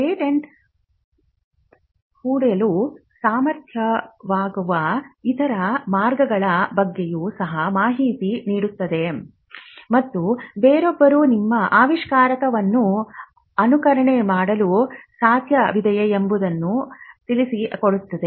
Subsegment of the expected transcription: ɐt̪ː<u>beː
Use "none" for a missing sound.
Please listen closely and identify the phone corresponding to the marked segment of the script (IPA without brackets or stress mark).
u